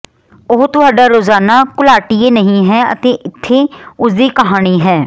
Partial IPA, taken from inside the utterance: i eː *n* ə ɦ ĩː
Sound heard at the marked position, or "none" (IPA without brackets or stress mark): n